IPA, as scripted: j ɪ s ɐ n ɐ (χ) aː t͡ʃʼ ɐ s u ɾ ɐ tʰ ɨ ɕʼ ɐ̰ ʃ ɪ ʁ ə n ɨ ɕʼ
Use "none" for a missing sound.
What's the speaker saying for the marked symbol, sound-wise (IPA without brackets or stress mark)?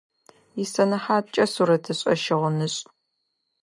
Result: ħ